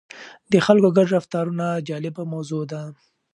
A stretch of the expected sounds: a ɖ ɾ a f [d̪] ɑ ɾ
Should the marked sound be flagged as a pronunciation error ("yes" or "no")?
yes